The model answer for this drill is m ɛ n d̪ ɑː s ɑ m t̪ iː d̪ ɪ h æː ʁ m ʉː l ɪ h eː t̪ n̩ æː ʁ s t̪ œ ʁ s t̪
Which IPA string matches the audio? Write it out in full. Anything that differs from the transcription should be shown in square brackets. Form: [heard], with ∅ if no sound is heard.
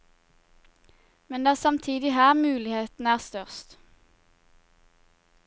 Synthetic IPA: m ɛ n d̪ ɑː s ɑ m [t̪ʰ] iː d̪ ɪ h æː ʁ m ʉː l ɪ h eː t̪ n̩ æː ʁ s t̪ œ ʁ s t̪